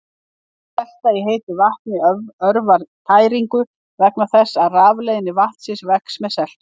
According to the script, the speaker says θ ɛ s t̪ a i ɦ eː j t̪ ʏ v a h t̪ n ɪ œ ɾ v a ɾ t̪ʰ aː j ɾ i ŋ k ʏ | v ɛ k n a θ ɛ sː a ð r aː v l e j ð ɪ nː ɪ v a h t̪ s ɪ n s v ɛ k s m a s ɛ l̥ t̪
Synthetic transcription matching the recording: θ ɛ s t̪ a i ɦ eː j t̪ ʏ v a h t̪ n ɪ œ ɾ v a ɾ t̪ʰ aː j ɾ i ŋ k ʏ | v ɛ k n a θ ɛ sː a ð r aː v l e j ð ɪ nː ɪ v a h t̪ s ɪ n s v ɛ k s m ɛ s ɛ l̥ t̪